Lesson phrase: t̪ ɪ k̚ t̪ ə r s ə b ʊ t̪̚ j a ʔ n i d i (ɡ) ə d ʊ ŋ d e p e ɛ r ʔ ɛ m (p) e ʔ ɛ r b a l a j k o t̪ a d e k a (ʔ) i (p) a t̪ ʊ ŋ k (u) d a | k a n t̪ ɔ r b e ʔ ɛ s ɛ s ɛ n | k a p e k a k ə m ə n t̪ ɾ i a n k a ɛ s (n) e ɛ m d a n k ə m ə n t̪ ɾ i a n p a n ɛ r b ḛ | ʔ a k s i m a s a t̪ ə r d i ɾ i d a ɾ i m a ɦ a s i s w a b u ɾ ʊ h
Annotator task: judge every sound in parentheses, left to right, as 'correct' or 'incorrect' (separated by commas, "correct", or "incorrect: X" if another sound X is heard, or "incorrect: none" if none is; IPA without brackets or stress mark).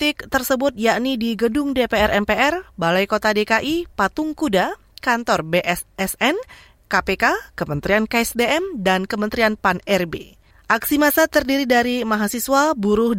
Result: correct, correct, correct, correct, correct, incorrect: d